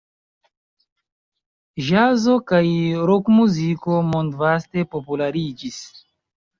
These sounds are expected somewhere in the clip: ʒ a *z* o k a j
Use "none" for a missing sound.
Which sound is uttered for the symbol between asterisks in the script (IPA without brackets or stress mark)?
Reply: z